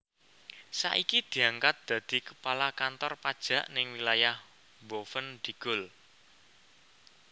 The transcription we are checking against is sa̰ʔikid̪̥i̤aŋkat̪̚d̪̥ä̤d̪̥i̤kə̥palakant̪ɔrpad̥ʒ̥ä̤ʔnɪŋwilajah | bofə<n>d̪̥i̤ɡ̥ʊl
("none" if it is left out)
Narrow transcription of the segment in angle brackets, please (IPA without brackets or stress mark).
n